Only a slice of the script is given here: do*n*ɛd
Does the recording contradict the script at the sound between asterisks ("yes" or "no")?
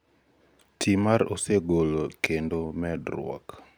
yes